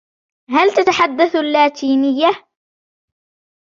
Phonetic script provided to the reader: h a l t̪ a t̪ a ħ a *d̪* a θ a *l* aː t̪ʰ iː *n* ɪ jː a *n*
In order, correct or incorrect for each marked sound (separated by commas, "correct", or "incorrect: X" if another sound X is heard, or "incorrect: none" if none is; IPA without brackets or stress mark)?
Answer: incorrect: d̪ː, incorrect: lː, correct, incorrect: none